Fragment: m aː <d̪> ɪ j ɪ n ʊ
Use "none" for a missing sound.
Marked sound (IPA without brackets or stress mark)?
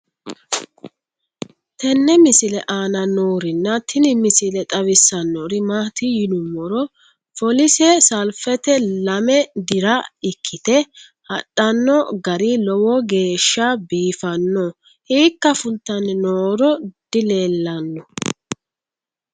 t̪